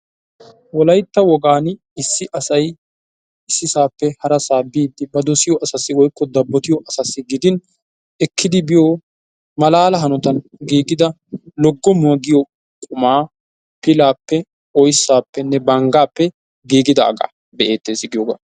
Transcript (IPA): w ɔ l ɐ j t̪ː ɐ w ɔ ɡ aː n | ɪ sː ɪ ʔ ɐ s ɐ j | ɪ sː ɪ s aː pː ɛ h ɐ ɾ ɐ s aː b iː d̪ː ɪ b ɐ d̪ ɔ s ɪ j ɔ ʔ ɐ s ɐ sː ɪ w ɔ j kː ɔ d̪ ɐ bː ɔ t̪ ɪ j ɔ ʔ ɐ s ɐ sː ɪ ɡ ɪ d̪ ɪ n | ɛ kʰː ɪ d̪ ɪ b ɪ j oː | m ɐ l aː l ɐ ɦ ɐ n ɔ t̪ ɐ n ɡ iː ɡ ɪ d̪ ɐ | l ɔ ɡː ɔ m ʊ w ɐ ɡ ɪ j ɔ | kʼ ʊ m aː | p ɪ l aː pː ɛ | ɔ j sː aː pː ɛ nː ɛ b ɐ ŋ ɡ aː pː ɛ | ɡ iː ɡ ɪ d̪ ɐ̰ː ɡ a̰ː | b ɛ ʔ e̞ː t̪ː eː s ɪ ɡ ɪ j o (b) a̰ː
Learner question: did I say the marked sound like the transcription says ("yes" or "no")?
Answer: no